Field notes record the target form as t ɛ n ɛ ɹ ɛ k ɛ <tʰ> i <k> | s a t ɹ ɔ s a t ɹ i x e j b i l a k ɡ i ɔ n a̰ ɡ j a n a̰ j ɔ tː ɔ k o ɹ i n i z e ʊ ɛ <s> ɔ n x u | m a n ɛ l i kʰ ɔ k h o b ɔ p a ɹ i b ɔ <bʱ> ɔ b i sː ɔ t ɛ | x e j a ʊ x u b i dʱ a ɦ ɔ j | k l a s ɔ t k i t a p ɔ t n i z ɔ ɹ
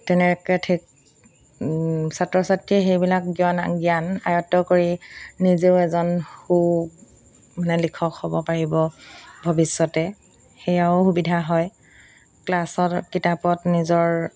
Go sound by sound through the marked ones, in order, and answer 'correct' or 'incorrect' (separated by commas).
correct, correct, incorrect, correct